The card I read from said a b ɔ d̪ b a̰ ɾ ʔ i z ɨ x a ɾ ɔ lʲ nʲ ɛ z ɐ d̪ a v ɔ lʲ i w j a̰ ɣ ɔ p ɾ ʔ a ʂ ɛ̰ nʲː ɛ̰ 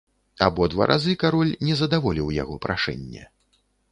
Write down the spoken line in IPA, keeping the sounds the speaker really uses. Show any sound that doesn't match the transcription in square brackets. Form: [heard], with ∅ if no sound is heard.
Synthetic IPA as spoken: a b ɔ d̪ [v] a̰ ɾ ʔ [a] z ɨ [k] a ɾ ɔ lʲ nʲ ɛ z ɐ d̪ a v ɔ lʲ i w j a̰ ɣ ɔ p ɾ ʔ a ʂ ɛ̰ nʲː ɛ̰